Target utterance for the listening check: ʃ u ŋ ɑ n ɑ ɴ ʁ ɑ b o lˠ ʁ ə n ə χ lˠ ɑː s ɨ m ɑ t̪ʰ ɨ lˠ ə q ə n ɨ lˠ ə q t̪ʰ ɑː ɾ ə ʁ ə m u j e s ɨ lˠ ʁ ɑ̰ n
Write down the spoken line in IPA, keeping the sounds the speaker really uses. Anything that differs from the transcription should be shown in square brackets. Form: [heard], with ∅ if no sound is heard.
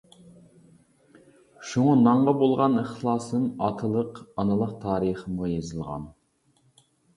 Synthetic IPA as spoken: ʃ u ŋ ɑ n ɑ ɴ ʁ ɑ b o lˠ ʁ [ɑ] n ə χ lˠ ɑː s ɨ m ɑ t̪ʰ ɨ lˠ ə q [ɑ] n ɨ lˠ ə q t̪ʰ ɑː ɾ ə [χ] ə m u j e [z] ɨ lˠ ʁ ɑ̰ n